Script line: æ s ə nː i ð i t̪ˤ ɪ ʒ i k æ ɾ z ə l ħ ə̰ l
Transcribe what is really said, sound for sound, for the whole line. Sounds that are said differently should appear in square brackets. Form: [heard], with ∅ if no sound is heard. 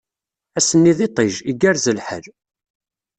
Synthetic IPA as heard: æ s ə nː i ð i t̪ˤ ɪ ʒ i [ɡ] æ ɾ z ə l ħ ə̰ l